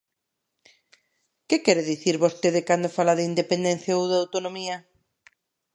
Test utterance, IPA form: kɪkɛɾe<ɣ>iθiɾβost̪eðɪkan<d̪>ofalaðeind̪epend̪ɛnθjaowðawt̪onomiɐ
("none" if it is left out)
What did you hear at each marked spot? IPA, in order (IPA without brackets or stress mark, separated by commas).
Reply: ð, d̪